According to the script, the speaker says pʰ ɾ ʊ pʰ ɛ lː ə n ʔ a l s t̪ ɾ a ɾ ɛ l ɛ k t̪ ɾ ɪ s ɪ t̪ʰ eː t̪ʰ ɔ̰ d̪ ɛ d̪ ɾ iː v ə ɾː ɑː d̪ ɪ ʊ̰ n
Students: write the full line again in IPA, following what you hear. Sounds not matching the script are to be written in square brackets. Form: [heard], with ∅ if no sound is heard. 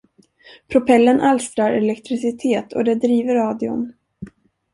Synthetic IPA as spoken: pʰ ɾ ʊ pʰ ɛ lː ə n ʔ a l s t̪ ɾ a ɾ ɛ l ɛ k t̪ ɾ ɪ s ɪ t̪ʰ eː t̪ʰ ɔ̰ d̪ ɛ d̪ ɾ iː v ə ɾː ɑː d̪ ɪ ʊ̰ n